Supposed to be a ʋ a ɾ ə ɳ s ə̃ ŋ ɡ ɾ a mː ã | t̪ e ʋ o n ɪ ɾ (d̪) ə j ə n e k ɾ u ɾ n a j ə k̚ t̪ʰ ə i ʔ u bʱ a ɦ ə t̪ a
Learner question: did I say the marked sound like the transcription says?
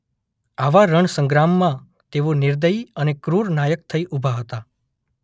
yes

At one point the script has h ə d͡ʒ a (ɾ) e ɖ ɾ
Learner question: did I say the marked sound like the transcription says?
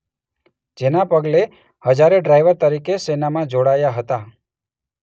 yes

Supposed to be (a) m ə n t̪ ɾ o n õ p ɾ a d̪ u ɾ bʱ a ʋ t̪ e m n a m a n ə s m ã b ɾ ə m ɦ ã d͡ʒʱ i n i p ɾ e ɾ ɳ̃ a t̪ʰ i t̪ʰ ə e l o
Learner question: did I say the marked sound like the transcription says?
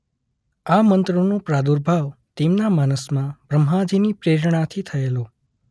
yes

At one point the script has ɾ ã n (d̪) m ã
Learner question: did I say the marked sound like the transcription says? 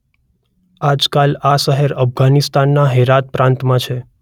no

